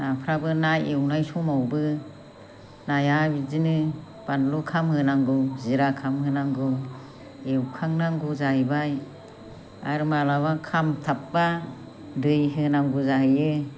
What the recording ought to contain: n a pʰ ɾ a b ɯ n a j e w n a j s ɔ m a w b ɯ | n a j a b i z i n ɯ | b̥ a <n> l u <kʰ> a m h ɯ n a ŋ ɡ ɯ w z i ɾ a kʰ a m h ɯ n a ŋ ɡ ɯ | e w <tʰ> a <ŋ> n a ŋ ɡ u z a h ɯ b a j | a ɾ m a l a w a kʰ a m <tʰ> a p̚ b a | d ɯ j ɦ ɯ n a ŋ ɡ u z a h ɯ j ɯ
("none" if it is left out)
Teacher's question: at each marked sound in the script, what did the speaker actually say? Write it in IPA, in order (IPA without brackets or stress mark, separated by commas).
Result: n, kʰ, kʰ, ŋ, tʰ